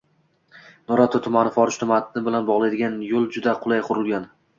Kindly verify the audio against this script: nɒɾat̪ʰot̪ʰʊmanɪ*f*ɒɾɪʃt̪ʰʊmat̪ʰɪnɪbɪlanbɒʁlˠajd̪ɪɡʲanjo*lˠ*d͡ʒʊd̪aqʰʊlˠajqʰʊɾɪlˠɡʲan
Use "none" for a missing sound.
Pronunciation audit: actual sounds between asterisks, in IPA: f, lˠ

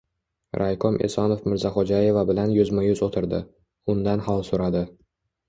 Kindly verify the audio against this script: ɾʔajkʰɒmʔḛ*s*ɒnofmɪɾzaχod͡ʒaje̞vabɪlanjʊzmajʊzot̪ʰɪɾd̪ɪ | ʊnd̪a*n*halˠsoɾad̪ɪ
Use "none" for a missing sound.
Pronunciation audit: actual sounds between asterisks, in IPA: s, n

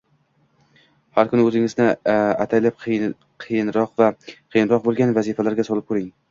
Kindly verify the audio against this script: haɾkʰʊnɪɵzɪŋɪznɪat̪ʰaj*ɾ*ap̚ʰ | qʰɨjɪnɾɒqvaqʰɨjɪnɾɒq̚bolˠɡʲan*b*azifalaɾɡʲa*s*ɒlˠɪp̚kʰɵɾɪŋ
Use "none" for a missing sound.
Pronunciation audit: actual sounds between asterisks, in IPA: l, v, s

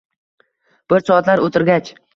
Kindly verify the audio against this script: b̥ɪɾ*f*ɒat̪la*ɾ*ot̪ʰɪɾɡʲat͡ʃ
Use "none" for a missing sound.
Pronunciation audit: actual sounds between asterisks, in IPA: s, ɾ

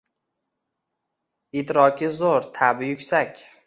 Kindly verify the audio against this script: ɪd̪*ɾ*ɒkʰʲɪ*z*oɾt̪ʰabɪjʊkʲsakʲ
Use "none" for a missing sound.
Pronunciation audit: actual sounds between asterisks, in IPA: ɾ, z

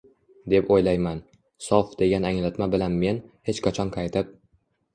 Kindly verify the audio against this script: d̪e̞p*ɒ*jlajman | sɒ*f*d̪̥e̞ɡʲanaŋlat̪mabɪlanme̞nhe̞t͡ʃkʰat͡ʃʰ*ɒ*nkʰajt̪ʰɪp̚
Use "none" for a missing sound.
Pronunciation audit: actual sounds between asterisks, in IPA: o, f, ɒ

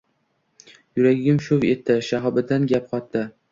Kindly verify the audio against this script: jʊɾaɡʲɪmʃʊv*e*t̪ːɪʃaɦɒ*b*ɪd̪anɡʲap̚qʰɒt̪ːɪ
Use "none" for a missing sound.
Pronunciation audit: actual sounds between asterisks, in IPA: e, b

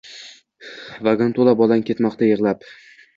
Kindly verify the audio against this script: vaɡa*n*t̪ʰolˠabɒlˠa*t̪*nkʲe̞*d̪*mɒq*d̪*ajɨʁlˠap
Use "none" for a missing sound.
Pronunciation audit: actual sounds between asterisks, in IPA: n, none, t̪, t̪

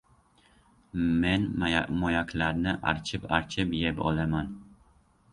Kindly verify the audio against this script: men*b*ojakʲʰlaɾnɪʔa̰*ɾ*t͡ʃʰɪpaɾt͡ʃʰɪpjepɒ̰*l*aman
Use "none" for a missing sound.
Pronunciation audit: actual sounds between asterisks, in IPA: m, ɾ, l

